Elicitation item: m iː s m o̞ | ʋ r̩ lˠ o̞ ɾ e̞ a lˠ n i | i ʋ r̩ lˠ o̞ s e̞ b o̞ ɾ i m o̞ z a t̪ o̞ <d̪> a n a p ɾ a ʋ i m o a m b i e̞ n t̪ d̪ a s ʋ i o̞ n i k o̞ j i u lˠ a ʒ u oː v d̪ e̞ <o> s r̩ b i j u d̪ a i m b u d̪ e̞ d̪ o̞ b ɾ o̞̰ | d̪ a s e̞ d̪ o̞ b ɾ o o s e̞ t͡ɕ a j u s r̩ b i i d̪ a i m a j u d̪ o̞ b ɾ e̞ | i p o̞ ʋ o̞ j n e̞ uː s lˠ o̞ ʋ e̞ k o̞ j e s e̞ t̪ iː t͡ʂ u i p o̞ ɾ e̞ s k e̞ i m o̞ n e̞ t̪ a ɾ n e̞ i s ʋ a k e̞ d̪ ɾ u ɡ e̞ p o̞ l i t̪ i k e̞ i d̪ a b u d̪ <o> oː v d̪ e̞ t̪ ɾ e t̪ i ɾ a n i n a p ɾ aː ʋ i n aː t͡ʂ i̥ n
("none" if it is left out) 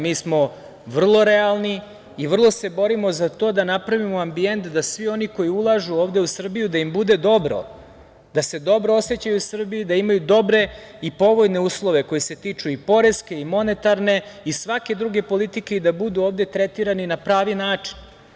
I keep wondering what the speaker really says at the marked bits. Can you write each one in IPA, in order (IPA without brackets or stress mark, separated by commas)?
d̪, u, u